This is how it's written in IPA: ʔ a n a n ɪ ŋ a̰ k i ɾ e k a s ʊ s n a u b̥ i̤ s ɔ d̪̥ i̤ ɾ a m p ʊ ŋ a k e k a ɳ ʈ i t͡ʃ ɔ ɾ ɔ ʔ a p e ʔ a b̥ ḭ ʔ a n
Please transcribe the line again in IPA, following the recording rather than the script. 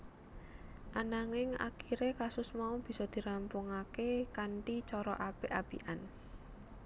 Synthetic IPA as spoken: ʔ a n a ŋ ɪ ŋ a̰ k i ɾ e k a s ʊ s m a u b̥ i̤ s ɔ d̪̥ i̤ ɾ a m p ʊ ŋ a k e k a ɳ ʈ i t͡ʃ ɔ ɾ ɔ ʔ a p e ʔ a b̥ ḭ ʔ a n